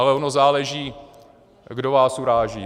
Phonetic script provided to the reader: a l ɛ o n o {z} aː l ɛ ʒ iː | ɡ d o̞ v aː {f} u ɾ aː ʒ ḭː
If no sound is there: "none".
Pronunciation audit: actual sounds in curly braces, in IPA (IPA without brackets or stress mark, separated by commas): z, s